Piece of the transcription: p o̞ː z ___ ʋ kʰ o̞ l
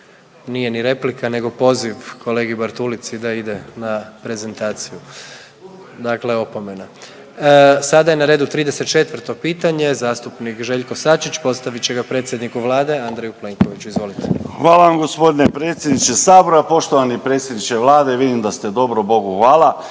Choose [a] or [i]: i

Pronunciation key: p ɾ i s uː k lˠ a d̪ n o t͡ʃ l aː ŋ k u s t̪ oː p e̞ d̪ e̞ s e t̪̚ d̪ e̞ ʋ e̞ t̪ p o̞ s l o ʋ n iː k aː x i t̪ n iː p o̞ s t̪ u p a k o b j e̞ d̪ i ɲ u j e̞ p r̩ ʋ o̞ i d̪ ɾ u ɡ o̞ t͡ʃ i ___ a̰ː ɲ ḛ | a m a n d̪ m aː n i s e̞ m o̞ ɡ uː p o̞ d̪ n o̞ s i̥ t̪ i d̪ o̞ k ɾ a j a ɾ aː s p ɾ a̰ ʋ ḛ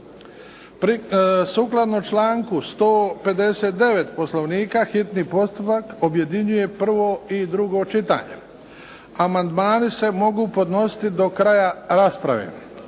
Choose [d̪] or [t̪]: t̪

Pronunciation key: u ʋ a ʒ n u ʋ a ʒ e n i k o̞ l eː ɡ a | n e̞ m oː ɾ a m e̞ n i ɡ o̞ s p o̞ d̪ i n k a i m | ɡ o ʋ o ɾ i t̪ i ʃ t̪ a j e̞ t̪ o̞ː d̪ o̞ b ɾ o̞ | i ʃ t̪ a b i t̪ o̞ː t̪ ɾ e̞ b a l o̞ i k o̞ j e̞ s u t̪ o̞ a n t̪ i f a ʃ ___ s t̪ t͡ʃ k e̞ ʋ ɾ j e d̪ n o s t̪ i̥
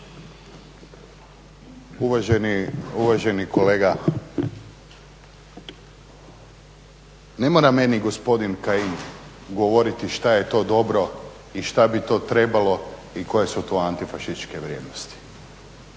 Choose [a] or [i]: i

